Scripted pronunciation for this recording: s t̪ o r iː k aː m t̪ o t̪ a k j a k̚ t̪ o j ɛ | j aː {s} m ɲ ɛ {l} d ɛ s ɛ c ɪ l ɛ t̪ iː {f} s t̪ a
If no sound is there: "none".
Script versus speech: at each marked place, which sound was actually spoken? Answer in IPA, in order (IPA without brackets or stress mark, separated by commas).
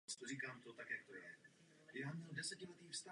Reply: none, l, f